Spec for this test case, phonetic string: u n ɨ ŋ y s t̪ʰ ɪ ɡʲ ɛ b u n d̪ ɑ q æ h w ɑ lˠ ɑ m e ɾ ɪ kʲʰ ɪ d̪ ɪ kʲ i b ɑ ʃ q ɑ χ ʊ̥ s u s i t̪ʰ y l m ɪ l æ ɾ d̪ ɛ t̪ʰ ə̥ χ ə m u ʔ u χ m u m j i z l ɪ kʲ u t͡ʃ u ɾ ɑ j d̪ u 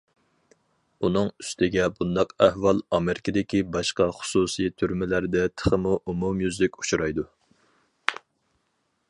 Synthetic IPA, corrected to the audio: u n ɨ ŋ y s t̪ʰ ɪ ɡʲ ɛ b u n d̪ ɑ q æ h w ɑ lˠ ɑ m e ɾ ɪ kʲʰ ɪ d̪ ɪ kʲ i b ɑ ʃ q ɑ χ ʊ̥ s u s i t̪ʰ y ɾ m ɪ l æ ɾ d̪ ɛ t̪ʰ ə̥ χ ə m u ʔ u m u m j y z l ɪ kʲ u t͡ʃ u ɾ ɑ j d̪ u